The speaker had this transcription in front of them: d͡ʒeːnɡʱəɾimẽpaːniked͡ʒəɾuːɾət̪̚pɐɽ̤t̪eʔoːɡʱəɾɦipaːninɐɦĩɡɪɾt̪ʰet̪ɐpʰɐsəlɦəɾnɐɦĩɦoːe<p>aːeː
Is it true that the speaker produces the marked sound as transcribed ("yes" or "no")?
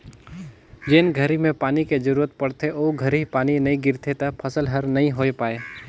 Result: yes